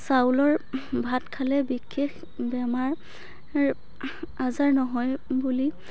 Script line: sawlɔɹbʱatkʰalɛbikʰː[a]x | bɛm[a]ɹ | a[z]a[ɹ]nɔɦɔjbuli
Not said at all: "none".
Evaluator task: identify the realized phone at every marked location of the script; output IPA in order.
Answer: e, a, z, ɹ

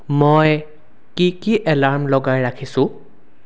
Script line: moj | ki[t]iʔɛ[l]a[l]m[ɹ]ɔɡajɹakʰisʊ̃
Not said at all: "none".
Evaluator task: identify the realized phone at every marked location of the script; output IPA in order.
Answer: k, l, ɹ, l

